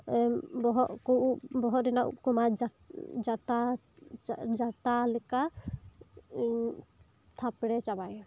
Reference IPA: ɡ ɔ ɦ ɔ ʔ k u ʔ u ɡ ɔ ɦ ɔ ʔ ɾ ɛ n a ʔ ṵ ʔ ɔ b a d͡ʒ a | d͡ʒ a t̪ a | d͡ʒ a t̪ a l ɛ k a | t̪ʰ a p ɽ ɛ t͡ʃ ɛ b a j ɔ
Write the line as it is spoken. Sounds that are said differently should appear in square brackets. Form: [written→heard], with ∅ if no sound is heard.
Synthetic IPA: [ɡ→b] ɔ ɦ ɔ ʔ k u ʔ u [ɡ→b] ɔ ɦ ɔ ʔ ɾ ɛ n a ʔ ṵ [ʔ→k] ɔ [b→m] a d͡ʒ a | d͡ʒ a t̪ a | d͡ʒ a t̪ a l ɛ k a | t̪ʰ a p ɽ ɛ t͡ʃ [ɛ→a] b a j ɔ